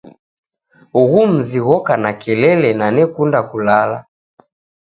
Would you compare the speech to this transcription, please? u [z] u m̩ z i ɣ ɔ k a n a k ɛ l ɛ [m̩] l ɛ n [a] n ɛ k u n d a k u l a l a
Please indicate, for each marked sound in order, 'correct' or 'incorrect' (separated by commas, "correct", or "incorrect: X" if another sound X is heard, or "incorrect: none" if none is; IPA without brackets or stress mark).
incorrect: ɣ, incorrect: none, correct